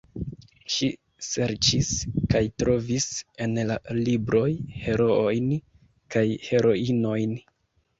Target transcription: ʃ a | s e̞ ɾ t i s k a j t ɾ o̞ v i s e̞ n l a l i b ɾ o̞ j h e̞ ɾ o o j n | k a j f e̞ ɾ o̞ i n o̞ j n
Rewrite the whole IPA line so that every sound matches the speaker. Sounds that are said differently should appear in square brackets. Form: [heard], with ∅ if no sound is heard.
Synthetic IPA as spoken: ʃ [i] | s e̞ ɾ [t͡ʃ] i s k a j t ɾ o̞ v i s e̞ n l a l i b ɾ o̞ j h e̞ ɾ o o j n | k a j [h] e̞ ɾ o̞ i n o̞ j n